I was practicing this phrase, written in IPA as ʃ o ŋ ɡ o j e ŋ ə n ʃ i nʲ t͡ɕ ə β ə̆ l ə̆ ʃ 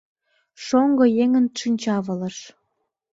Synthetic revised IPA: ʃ o ŋ ɡ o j e ŋ ə n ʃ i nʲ t͡ɕ ɑ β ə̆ l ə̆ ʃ